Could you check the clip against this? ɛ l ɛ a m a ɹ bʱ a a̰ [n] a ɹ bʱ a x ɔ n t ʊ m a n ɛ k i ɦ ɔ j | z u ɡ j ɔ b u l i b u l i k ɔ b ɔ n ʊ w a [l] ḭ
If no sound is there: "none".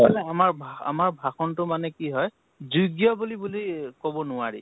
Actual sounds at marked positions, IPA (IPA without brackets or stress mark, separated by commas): m, ɹ